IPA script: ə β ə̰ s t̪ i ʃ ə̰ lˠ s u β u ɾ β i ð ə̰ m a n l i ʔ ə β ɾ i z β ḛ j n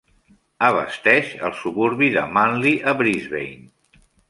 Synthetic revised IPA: ə β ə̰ s t̪ ɛ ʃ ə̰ lˠ s u β u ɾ β i ð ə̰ m a n l i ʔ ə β ɾ i z β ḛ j n